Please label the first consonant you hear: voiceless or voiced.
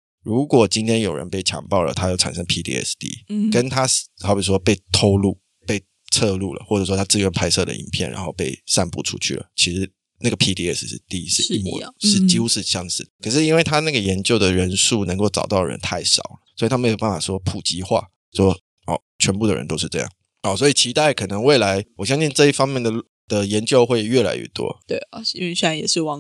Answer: voiced